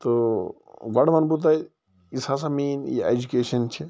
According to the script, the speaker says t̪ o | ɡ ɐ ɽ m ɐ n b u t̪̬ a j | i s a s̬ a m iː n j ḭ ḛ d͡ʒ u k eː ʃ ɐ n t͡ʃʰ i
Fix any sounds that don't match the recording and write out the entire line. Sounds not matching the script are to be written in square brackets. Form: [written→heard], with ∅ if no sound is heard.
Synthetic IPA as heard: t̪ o | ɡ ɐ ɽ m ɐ n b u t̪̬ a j | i s a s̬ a m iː n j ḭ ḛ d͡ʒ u k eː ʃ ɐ n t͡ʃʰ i